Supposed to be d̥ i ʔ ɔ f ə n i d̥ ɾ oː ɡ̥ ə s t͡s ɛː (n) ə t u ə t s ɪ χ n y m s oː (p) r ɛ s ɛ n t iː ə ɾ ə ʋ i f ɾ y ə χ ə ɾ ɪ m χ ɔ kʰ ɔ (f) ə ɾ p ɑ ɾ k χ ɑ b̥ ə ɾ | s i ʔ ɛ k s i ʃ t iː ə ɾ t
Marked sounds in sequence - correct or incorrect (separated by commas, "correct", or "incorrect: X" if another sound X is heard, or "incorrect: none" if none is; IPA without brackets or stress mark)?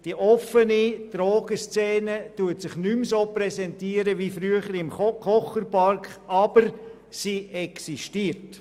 correct, correct, incorrect: χ